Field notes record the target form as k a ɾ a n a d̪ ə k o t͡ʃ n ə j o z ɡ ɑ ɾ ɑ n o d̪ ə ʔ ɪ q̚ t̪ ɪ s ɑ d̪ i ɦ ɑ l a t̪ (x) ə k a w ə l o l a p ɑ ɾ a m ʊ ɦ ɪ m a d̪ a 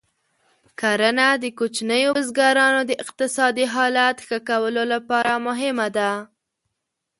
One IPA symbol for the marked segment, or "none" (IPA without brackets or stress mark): x